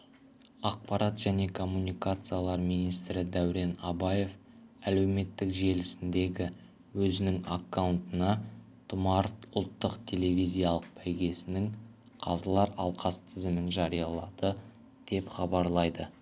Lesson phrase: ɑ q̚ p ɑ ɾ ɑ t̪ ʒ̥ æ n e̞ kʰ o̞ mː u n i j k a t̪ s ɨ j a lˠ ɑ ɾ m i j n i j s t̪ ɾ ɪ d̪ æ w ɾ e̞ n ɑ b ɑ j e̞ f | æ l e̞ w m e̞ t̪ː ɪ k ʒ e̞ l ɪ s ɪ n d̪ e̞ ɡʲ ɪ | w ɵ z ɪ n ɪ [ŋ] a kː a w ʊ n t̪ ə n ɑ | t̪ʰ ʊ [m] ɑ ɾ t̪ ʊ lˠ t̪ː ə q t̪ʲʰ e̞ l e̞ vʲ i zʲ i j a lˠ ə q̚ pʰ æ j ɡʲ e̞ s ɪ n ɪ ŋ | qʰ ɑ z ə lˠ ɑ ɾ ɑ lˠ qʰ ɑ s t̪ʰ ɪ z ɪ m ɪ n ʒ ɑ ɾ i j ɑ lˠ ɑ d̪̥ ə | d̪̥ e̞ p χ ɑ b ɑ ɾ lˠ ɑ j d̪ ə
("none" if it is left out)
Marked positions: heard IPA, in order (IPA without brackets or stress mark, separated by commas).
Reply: ŋ, m